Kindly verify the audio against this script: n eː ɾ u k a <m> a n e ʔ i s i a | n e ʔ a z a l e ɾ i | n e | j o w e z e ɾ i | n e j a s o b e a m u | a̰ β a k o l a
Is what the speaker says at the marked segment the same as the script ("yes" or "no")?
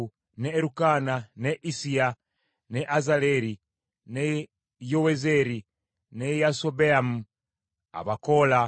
no